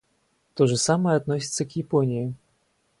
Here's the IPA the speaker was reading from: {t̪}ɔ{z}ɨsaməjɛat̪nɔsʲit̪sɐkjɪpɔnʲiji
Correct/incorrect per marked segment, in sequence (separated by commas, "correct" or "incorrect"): correct, incorrect